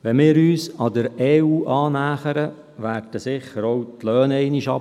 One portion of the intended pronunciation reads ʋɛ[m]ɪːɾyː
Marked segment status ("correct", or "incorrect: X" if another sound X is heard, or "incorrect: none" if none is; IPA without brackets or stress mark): correct